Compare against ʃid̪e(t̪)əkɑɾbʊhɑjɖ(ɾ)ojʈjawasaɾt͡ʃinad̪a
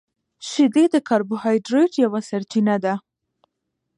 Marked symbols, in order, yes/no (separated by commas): no, yes